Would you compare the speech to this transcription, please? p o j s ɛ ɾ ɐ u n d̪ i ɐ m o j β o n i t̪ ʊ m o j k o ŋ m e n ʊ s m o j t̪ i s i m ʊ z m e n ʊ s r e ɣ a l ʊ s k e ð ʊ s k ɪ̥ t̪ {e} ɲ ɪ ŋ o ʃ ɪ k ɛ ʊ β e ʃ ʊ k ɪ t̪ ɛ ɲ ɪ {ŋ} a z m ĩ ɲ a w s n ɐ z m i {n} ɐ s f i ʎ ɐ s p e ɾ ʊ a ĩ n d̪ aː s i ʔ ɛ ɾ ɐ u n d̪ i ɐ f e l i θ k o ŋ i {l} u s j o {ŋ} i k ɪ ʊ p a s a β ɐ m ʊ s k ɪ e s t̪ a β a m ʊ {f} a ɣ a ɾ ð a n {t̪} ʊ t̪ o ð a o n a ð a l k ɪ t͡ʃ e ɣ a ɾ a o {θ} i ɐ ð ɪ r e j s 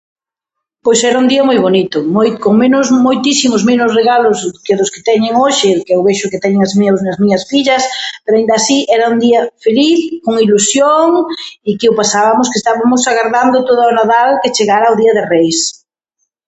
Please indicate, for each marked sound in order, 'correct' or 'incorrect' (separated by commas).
incorrect, correct, incorrect, correct, correct, incorrect, incorrect, incorrect